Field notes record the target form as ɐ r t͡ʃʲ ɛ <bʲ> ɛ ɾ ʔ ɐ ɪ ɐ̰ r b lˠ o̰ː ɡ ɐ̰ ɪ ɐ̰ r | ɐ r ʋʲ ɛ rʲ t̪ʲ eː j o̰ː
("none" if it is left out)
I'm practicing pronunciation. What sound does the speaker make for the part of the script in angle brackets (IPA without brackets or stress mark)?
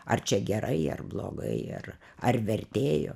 ɡʲ